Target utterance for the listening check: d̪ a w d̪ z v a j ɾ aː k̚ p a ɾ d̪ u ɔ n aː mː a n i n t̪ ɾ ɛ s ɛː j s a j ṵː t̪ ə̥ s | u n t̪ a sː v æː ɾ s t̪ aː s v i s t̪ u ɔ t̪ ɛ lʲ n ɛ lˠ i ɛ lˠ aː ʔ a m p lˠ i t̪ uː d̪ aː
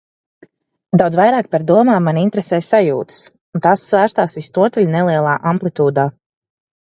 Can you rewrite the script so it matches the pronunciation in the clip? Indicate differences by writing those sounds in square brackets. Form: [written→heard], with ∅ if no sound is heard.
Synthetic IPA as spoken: d̪ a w d̪ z v a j ɾ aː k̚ p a ɾ d̪ u ɔ [n→m] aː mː a n i n t̪ ɾ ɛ s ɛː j s a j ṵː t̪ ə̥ s | u n t̪ a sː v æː ɾ s t̪ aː s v i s t̪ u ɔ t̪ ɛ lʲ n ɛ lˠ i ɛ lˠ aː ʔ a m p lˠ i t̪ uː d̪ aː